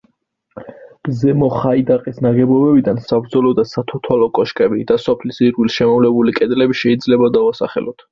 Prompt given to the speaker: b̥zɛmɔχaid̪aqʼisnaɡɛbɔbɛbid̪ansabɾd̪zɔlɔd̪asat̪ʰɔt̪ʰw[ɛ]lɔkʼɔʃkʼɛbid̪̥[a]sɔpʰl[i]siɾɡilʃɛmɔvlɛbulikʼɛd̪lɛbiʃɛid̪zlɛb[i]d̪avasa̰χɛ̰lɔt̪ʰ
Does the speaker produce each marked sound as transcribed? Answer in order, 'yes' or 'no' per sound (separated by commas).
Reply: no, yes, yes, no